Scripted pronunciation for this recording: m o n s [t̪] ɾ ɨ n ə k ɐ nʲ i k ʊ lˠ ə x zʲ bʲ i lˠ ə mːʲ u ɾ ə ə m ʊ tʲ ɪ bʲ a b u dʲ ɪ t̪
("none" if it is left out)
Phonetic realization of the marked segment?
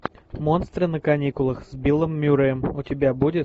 t̪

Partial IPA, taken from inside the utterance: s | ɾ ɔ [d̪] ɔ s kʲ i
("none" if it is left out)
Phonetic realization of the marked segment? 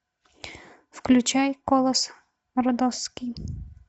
d̪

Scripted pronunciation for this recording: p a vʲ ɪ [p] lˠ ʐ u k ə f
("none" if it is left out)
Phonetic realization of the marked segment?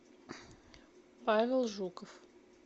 none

